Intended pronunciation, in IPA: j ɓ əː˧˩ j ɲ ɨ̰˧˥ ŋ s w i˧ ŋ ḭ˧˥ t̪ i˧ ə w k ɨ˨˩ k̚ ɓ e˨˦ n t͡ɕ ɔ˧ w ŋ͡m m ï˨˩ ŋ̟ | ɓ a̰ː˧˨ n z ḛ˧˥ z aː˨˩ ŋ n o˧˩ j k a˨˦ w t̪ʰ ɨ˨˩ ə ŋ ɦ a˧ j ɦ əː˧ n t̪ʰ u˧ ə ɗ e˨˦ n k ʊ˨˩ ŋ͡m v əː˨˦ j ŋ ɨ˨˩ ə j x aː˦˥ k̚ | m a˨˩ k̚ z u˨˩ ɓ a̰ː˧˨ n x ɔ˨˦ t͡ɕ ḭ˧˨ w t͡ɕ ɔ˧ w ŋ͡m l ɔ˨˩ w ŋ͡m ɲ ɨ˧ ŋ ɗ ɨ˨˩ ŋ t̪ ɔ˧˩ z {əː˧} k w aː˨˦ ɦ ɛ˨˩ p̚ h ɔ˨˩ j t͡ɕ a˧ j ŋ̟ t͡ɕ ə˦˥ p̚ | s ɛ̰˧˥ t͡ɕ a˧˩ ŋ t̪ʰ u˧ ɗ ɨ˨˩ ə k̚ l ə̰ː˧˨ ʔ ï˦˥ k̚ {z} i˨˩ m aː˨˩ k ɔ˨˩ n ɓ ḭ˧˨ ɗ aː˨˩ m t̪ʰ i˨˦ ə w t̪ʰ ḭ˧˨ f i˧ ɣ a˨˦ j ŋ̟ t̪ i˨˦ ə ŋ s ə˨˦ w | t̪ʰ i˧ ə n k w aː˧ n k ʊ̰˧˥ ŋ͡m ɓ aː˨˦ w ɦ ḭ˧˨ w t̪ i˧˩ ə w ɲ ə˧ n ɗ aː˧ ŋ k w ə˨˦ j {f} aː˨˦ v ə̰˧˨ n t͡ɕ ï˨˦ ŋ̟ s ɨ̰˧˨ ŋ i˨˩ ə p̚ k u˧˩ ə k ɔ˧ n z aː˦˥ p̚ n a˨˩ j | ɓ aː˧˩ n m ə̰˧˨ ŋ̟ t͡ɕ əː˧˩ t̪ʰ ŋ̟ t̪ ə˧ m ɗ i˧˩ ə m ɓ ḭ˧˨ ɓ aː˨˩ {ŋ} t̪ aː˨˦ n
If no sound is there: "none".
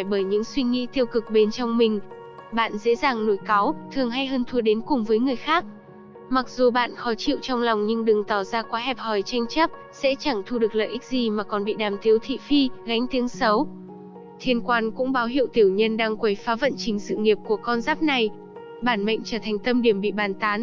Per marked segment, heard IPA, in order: aː˧, z, f, n

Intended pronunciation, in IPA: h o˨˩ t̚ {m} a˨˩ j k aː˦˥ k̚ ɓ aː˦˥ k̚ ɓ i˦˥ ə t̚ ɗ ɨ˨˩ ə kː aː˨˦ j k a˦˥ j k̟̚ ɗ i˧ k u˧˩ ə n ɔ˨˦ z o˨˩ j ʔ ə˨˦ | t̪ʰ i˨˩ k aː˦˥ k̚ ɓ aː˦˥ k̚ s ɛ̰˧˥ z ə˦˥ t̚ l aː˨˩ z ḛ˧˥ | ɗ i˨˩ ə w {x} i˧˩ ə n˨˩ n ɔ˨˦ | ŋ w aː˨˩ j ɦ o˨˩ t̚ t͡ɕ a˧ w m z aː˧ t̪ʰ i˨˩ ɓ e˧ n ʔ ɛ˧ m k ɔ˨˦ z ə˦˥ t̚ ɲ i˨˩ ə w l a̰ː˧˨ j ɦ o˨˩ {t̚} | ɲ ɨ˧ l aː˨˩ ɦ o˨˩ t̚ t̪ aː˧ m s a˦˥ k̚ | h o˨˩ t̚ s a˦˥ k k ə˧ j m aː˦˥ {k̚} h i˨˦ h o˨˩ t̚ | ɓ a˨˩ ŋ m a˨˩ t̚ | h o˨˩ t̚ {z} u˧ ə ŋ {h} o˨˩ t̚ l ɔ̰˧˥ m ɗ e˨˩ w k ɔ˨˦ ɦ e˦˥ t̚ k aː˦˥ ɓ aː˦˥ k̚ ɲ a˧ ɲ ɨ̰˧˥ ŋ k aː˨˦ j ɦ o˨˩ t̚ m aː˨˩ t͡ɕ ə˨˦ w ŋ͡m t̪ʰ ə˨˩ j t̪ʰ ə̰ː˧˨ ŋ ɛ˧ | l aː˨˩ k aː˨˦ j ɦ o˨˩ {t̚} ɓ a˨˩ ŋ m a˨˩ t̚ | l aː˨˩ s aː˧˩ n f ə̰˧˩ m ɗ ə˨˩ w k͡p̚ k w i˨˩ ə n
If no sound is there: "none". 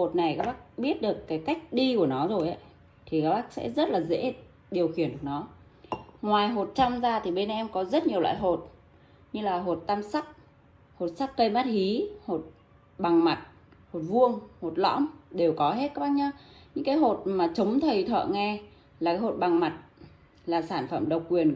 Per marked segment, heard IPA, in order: n, x, t̚, t̚, v, h, t̚

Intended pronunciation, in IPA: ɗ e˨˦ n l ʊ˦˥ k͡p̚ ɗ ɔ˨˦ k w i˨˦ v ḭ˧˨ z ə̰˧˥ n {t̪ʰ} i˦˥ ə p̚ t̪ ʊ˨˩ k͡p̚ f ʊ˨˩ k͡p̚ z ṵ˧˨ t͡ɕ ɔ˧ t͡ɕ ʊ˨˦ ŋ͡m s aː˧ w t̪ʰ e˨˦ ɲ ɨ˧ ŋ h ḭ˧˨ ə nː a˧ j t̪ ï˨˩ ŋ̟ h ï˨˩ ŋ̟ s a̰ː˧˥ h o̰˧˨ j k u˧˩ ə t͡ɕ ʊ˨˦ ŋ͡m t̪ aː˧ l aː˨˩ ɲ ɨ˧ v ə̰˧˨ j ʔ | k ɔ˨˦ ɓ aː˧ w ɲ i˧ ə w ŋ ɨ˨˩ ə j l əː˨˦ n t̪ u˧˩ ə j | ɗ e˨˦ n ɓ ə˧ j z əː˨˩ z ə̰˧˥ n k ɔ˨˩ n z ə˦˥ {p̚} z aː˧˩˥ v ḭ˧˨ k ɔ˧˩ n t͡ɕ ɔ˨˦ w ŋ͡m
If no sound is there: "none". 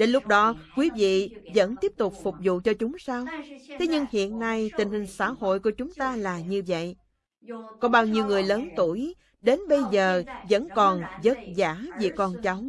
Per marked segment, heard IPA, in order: t̪, t̚

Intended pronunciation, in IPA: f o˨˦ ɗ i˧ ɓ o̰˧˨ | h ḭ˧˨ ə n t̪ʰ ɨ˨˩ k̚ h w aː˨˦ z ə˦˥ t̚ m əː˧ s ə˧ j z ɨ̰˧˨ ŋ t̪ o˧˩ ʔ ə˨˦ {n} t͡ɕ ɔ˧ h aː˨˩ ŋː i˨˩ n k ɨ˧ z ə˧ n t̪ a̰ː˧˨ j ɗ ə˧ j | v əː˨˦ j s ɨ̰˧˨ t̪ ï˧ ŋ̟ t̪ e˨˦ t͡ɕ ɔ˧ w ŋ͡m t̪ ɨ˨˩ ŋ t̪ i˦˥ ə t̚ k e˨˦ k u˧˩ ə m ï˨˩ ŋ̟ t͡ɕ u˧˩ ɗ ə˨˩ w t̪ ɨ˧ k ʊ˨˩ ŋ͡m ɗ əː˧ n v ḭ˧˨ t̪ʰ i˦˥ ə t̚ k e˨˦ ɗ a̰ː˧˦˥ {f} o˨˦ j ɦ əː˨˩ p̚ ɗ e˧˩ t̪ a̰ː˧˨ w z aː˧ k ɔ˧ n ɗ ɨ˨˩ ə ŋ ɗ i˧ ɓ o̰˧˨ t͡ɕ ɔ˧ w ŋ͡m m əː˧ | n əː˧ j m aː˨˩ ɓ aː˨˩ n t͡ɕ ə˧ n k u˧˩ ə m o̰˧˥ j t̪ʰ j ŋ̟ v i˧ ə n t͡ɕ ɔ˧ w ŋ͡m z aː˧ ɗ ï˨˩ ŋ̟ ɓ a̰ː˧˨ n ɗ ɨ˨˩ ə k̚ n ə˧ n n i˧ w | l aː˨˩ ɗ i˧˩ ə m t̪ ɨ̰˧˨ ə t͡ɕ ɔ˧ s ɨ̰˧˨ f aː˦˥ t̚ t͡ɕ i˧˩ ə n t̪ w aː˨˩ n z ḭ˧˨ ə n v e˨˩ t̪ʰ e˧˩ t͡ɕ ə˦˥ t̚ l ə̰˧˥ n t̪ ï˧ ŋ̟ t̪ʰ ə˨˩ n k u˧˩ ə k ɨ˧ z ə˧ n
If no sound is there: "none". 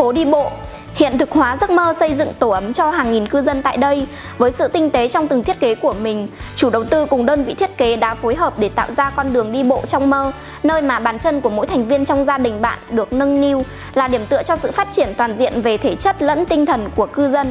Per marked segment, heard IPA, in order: m, f

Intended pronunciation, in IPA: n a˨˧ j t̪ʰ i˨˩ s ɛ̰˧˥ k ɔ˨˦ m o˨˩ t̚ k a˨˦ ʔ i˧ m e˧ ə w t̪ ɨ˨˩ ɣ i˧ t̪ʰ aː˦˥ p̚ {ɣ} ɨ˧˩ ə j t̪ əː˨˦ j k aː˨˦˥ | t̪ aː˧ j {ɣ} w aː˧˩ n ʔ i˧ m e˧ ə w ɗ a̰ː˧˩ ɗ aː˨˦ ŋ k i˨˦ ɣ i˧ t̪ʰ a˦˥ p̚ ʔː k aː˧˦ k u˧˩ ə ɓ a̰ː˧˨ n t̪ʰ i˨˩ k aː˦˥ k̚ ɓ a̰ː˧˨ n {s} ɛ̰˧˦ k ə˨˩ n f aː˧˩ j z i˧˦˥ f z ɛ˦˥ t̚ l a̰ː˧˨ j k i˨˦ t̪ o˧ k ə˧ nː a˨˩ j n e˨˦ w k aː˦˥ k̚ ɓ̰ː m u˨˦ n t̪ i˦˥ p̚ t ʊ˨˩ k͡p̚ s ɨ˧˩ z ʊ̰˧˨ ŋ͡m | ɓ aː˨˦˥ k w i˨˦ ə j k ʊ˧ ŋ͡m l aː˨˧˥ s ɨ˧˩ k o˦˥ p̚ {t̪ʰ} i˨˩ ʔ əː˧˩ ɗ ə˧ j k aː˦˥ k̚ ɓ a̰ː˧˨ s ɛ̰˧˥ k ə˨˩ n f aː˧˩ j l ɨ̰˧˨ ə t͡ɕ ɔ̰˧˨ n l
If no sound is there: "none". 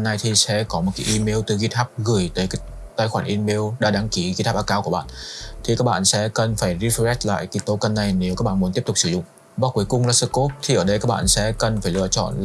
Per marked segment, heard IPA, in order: ɣ, x, s, t̪ʰ

